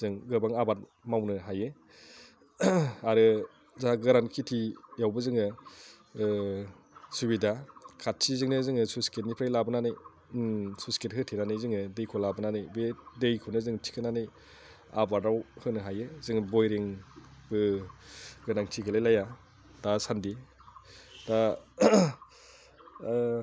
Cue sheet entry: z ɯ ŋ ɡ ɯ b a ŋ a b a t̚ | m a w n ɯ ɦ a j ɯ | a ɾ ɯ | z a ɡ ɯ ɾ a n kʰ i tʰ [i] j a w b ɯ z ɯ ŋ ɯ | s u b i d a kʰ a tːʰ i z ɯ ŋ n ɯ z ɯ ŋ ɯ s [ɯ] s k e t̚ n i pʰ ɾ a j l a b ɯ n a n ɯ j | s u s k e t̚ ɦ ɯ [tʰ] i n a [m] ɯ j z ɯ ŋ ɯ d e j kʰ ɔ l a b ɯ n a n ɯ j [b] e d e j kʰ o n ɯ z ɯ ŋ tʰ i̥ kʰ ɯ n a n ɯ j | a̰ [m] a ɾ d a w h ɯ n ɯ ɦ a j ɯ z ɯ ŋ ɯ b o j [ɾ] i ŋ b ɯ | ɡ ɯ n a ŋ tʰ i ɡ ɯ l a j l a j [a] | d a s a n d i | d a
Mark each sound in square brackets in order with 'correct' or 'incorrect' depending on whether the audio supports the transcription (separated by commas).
correct, incorrect, correct, incorrect, correct, incorrect, correct, correct